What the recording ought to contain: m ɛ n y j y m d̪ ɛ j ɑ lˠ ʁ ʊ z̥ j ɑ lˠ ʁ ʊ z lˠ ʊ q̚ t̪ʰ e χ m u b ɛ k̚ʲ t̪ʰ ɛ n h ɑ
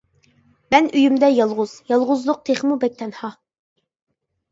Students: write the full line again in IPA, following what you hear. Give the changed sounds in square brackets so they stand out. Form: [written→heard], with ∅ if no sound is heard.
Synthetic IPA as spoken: m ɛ n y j y m d̪ ɛ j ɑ lˠ ʁ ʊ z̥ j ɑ lˠ ʁ ʊ z lˠ ʊ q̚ t̪ʰ e χ m u b ɛ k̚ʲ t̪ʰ ɛ n h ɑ